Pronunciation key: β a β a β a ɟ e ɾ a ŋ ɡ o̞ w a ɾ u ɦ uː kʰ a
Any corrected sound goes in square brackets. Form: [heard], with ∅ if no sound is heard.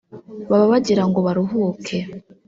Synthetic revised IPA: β a β a β a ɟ [i] ɾ a ŋ ɡ o̞ [β] a ɾ u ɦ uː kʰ [e]